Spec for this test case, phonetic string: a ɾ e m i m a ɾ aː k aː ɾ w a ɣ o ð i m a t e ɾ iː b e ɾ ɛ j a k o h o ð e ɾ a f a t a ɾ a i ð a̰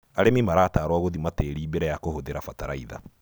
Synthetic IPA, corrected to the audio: a ɾ e m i m a ɾ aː t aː ɾ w a ɣ o ð i m a t e ɾ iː b e ɾ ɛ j a k o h o ð e ɾ a f a t a ɾ a i ð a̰

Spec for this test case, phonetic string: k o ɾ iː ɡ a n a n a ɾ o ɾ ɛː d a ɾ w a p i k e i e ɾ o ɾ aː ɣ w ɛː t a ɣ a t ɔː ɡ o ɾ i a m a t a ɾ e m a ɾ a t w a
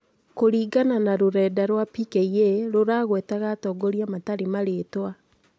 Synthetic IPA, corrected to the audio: k o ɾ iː ɡ a n a n a ɾ o ɾ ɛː d a ɾ w a p i k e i e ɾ o ɾ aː ɣ w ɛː t a ɣ a t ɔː ɡ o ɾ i a m a t a ɾ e m a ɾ e t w a

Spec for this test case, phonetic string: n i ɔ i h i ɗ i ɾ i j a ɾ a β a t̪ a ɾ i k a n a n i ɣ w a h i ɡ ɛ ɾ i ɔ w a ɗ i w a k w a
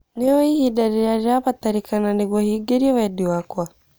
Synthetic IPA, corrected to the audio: n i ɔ i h i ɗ a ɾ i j a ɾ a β a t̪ a ɾ i k a n a n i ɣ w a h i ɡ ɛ ɾ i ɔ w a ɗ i w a k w a

